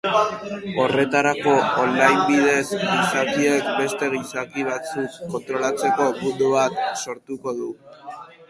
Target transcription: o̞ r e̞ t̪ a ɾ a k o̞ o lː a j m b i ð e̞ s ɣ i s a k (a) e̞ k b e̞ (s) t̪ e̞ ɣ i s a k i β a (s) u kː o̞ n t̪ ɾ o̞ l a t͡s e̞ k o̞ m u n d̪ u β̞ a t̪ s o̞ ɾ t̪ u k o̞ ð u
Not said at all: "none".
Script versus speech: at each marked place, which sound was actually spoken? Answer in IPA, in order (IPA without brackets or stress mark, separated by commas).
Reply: i, s, t͡s